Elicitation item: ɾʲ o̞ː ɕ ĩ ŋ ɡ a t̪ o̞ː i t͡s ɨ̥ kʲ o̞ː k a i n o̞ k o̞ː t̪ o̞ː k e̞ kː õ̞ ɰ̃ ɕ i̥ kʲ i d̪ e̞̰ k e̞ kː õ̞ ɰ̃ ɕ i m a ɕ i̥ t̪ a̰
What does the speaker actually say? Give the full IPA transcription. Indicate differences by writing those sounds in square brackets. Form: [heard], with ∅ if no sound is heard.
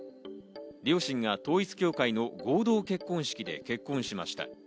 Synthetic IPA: ɾʲ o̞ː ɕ ĩ ŋ ɡ a t̪ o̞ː i t͡s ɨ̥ kʲ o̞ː k a i n o̞ [ɡ] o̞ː [d̪] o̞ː k e̞ kː õ̞ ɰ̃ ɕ i̥ kʲ i d̪ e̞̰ k e̞ kː õ̞ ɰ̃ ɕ i m a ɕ i̥ t̪ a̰

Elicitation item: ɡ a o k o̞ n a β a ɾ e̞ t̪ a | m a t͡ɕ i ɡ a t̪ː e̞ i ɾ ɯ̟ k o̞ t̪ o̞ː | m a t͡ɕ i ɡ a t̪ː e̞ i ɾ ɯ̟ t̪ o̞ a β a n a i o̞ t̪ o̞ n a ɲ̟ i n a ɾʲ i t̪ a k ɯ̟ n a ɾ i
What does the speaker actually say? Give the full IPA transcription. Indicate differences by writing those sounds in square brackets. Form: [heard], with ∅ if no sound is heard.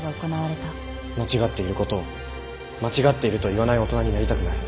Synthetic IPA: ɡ a o k o̞ n a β a ɾ e̞ t̪ a | m a t͡ɕ i ɡ a t̪ː e̞ i ɾ ɯ̟ k o̞ t̪ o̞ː | m a t͡ɕ i ɡ a t̪ː e̞ i ɾ ɯ̟ t̪ o̞ [i] β a n a i o̞ t̪ o̞ n a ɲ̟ i n a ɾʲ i t̪ a k ɯ̟ n a ɾ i

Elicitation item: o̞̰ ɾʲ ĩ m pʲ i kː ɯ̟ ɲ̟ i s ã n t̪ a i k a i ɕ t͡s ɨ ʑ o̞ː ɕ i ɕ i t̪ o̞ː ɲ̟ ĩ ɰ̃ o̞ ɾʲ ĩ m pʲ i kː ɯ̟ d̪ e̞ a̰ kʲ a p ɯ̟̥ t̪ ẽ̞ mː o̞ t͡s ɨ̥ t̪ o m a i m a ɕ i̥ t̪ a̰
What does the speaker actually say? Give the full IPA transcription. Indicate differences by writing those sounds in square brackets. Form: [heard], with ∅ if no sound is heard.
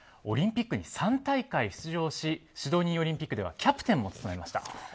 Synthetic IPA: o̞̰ ɾʲ ĩ m pʲ i kː ɯ̟ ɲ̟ i s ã n t̪ a i k a i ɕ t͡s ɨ ʑ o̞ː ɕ i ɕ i [d̪] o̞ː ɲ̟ ĩ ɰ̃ o̞ ɾʲ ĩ m pʲ i kː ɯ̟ d̪ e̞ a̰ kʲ a p ɯ̟̥ t̪ ẽ̞ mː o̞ t͡s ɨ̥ t̪ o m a [e] m a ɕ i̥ t̪ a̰

